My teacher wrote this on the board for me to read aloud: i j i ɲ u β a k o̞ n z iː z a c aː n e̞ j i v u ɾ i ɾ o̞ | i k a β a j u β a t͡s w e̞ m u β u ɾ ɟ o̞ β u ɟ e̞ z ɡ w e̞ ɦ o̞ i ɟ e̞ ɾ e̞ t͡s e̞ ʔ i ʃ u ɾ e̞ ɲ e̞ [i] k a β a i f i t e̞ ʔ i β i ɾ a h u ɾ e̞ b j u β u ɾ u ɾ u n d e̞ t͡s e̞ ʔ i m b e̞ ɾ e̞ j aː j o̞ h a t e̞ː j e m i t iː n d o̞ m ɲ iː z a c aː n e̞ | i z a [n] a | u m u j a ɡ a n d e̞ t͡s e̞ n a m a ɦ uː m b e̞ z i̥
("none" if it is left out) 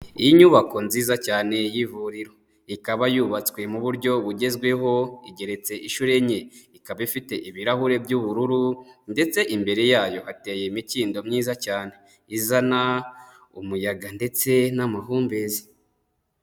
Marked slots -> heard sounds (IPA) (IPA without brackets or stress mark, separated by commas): i, n